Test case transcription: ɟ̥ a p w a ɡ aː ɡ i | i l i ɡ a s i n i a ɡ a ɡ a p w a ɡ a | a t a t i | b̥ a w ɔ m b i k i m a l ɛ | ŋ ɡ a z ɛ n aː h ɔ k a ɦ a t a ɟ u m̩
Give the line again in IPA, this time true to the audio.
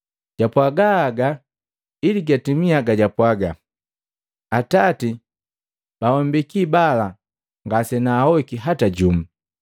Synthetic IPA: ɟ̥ a p w a ɡ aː ɡ a | i l i ɡ a t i m i a ɡ a ɟ a p w a ɡ a | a t a t i | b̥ a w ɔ m b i k i b a l a | ŋ ɡ a s ɛ n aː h ɔ k i ɦ a t a ɟ u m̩